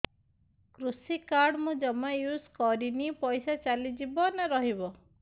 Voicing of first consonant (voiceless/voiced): voiceless